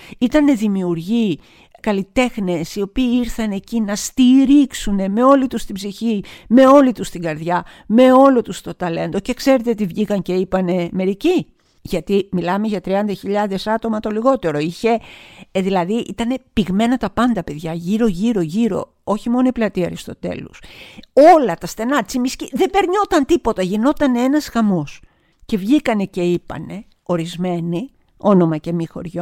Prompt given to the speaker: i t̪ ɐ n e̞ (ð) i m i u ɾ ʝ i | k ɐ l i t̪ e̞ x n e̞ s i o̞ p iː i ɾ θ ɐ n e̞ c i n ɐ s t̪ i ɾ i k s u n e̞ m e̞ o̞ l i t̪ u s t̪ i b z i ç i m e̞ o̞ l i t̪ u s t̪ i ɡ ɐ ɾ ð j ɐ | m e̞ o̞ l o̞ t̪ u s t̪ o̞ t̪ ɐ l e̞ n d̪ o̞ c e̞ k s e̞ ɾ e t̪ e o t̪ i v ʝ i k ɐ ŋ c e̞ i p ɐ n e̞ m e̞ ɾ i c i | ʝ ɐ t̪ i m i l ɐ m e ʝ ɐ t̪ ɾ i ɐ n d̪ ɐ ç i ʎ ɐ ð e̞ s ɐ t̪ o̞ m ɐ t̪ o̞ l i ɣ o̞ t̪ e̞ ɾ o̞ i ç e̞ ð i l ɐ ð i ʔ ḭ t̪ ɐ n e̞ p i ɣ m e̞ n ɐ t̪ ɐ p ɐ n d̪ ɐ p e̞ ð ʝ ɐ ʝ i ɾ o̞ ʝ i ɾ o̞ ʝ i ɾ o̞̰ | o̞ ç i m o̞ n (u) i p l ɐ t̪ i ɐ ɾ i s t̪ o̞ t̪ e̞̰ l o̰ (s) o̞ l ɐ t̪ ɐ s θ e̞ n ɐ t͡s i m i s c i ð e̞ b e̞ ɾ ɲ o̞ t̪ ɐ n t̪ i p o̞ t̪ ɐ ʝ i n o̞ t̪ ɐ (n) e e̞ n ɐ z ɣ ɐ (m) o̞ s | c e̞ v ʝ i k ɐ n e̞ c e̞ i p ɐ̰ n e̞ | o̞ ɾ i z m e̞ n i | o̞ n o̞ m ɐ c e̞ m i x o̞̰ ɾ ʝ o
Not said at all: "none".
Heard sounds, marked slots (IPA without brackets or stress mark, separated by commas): ð, o, s, n, m